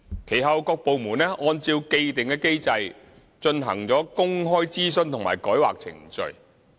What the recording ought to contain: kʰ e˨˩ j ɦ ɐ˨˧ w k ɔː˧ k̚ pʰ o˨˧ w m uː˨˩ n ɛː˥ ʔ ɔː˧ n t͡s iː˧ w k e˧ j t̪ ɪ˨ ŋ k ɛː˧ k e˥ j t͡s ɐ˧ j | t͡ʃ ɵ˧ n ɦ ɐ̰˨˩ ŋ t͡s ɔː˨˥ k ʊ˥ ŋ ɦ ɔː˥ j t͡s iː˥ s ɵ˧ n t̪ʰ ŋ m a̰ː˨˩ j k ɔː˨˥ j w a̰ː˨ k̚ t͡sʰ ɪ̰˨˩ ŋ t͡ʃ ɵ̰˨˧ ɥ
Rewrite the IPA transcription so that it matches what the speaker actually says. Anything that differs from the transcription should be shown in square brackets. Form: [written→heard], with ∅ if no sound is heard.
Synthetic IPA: kʰ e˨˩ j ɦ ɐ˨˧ w k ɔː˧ k̚ [pʰ→p] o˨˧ w m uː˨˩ n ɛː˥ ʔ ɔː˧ n t͡s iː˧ w k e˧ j t̪ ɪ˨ ŋ k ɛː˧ k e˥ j t͡s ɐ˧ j | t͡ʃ ɵ˧ n ɦ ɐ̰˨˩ ŋ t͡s ɔː˨˥ k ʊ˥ ŋ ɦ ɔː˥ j t͡s iː˥ s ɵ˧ n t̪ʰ ŋ m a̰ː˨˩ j k ɔː˨˥ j w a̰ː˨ k̚ t͡sʰ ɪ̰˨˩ ŋ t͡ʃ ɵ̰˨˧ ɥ